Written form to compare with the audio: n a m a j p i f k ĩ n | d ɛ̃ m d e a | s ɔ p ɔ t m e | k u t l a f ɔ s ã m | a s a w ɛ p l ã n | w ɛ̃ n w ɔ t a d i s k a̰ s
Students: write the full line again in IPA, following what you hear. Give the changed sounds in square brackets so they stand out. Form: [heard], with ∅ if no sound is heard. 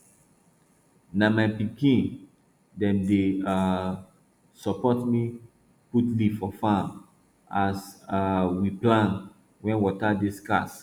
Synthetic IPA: n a m a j p i [∅] k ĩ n | d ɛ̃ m d e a | s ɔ p ɔ t m [i] | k u t l [i] f ɔ [f] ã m | a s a w [i] p l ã n | w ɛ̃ n w ɔ t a d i s k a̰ s